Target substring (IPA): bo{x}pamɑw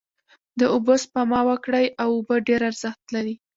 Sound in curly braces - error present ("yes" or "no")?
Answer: yes